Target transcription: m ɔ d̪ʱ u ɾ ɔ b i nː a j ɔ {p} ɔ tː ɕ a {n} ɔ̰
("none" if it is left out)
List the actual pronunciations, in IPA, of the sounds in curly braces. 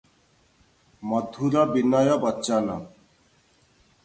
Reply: b, n

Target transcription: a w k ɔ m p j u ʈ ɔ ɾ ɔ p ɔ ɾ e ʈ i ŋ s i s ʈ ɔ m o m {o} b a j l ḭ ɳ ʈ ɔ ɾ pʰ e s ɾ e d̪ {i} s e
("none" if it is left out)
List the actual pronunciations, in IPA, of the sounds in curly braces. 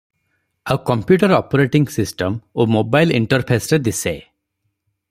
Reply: o, i

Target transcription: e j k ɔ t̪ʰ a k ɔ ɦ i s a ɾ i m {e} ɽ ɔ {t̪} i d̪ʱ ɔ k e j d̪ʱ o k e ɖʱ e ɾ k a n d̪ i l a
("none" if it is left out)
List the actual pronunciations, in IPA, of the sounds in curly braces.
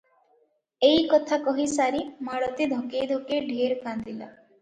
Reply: a, t̪

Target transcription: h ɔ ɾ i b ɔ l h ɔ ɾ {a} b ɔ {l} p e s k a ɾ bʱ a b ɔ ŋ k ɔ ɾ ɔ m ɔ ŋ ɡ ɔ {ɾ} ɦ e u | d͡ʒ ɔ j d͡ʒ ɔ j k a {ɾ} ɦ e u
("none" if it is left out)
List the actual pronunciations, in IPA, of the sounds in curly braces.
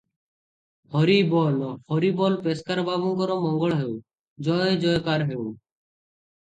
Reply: i, l, ɭ, ɾ

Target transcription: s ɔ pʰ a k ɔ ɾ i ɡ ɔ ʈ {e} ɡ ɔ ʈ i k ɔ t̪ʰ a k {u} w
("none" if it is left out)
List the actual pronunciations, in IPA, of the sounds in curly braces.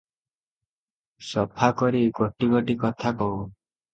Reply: i, ɔ

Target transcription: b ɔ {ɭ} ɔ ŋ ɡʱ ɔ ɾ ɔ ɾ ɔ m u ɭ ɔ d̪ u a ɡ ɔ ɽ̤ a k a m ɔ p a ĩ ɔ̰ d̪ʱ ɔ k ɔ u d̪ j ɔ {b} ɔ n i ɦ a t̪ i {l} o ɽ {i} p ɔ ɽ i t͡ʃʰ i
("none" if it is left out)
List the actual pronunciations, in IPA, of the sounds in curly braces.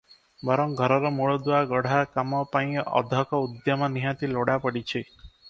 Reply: ɾ, m, l, a

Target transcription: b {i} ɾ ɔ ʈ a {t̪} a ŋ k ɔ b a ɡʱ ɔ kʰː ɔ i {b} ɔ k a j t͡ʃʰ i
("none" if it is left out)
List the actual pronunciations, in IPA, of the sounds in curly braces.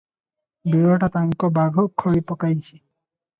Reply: i, t̪, p

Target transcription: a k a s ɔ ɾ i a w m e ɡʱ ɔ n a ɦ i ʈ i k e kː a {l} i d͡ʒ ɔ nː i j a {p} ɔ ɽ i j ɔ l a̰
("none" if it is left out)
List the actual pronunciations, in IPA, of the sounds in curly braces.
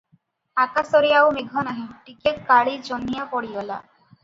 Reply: ɭ, p

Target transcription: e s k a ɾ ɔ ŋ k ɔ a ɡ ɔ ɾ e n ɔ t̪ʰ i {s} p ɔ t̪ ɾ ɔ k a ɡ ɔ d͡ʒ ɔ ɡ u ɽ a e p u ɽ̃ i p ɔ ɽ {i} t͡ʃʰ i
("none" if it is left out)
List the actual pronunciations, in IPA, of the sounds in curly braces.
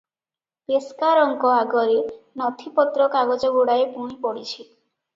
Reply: none, i

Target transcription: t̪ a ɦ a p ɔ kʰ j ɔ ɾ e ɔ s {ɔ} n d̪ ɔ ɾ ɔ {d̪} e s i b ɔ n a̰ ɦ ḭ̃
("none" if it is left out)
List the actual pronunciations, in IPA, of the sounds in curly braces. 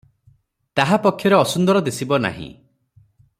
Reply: u, d̪

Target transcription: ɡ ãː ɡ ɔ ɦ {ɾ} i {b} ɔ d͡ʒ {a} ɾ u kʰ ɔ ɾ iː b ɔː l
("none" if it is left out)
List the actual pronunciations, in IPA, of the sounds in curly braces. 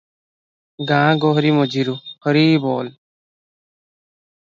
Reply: ɾ, m, i

